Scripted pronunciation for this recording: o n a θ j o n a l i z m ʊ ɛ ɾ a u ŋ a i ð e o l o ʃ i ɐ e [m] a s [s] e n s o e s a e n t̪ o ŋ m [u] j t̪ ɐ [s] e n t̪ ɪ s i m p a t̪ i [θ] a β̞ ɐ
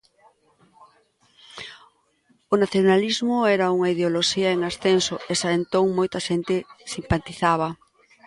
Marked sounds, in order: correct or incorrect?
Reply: incorrect, incorrect, incorrect, incorrect, correct

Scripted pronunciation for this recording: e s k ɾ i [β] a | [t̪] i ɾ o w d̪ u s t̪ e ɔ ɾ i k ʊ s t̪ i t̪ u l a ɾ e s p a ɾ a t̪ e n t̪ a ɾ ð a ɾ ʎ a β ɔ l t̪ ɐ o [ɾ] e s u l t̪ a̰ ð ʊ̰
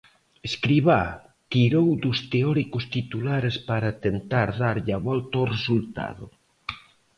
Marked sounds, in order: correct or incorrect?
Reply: correct, correct, incorrect

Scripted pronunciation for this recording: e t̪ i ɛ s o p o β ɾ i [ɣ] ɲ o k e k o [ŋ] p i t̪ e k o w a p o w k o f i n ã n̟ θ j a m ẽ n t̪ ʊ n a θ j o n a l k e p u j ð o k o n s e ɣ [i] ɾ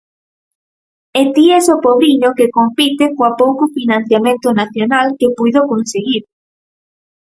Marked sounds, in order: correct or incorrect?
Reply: incorrect, incorrect, correct

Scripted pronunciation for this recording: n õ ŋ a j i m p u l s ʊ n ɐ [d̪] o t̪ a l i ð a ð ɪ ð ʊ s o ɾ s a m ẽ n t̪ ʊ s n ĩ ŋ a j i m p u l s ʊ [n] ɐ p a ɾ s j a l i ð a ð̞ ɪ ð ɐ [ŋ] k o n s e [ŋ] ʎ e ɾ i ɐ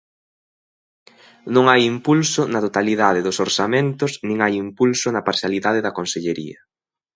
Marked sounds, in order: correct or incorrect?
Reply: incorrect, correct, incorrect, incorrect

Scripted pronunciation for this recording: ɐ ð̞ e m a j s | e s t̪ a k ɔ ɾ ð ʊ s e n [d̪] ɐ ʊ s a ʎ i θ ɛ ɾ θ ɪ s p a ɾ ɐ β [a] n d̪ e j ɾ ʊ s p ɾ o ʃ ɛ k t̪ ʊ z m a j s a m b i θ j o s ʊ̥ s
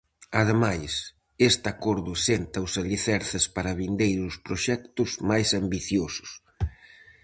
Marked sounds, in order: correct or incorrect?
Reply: incorrect, incorrect

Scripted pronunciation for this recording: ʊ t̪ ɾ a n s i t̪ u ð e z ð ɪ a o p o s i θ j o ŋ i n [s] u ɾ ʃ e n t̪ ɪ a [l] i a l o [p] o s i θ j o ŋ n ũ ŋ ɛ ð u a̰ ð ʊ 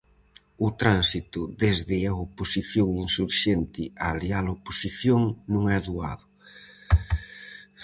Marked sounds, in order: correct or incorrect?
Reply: correct, correct, correct

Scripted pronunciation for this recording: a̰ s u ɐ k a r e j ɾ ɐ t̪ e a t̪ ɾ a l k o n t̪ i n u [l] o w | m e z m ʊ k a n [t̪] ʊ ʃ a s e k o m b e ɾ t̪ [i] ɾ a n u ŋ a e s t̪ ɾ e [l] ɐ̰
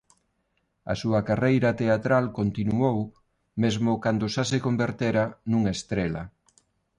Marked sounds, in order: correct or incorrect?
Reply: incorrect, incorrect, incorrect, correct

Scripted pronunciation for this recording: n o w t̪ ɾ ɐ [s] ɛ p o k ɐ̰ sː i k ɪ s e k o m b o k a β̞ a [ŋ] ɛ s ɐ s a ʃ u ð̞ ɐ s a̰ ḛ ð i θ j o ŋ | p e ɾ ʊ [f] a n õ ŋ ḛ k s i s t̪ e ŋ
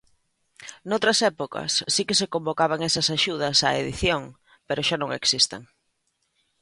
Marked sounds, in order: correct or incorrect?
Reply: correct, correct, incorrect

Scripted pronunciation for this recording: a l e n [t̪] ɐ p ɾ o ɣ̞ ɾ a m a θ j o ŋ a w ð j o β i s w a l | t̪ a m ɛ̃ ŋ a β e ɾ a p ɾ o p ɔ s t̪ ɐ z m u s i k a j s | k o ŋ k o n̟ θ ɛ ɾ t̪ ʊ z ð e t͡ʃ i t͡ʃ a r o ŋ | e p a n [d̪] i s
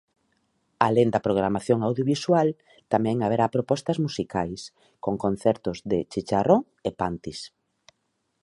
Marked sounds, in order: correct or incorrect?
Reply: incorrect, incorrect

